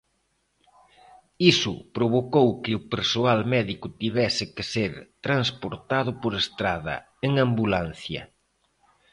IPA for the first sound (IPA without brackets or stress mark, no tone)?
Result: i